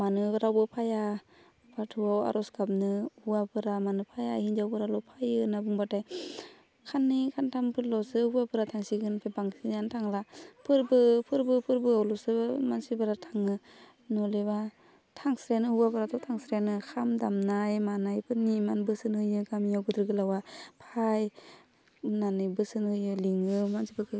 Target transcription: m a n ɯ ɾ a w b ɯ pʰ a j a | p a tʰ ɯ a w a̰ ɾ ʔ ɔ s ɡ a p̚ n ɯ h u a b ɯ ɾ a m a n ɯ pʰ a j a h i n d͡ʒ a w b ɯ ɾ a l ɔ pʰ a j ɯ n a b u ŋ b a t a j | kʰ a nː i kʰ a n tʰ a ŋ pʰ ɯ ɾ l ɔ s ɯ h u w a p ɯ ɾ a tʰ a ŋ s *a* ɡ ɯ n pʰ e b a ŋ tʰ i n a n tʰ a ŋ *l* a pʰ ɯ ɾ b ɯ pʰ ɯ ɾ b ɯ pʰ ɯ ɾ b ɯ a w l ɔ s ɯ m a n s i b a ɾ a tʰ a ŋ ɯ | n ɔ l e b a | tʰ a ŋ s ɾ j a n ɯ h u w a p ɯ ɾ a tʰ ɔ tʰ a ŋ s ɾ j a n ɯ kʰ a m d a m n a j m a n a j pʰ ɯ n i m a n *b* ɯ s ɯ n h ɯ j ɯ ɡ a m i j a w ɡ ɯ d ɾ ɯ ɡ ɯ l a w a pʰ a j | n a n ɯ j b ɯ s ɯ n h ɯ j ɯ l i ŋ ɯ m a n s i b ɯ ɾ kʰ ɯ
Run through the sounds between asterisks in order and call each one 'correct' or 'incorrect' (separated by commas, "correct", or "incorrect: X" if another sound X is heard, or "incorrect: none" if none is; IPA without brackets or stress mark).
incorrect: i, correct, correct